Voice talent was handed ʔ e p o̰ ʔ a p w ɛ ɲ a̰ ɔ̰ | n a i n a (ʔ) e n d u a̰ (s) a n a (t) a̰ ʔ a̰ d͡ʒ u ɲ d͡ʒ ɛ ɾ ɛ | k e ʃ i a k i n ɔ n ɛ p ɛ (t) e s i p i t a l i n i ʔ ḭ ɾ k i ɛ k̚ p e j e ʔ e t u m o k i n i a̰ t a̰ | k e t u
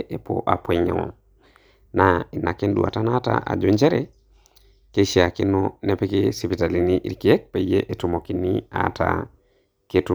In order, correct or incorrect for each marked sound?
incorrect, incorrect, correct, incorrect

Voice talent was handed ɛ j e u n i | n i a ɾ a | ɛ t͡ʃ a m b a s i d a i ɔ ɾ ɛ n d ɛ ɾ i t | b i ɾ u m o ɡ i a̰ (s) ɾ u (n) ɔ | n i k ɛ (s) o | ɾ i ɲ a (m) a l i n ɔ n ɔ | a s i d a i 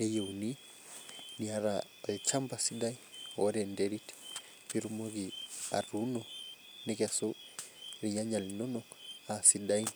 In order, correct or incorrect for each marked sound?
incorrect, correct, correct, incorrect

